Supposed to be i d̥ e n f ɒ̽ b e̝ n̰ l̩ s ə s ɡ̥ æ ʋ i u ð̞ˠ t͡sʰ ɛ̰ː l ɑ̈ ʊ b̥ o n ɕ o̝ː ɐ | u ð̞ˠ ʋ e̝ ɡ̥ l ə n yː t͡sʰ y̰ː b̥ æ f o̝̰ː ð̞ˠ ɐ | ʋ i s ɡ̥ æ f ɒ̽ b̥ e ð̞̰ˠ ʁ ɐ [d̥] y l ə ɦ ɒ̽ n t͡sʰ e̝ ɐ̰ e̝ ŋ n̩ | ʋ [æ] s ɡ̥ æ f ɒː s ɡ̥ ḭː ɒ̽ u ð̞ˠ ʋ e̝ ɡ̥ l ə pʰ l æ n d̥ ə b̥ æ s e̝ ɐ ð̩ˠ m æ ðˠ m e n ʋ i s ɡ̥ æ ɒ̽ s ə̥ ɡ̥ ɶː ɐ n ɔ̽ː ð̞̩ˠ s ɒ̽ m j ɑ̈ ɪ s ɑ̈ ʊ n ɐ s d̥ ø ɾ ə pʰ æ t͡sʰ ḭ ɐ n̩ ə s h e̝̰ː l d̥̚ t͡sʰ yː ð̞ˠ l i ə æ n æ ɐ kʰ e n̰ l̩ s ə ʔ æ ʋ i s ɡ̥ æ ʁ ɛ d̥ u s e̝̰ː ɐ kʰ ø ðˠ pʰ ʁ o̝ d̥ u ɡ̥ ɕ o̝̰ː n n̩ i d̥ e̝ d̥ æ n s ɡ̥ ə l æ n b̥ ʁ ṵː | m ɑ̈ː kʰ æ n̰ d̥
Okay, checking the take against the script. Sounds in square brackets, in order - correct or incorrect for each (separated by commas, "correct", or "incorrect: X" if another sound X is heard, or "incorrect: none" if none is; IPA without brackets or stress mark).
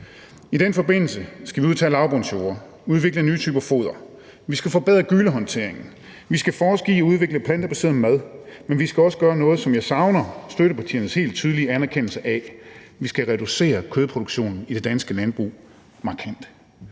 incorrect: ɡ̥, incorrect: i